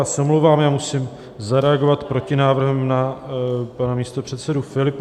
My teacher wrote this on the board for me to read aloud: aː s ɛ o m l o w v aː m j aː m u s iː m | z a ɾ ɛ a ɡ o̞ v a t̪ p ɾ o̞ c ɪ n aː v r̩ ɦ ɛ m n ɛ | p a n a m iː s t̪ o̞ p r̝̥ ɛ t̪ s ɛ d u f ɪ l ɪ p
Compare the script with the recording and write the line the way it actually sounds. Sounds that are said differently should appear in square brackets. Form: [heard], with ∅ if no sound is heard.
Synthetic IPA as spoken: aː s ɛ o m l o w v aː m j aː m u s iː m | z a ɾ ɛ a ɡ o̞ v a t̪ p ɾ o̞ c ɪ n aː v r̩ ɦ ɛ m n [a] | p a n a m iː s t̪ o̞ p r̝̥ ɛ t̪ s ɛ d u f ɪ l ɪ p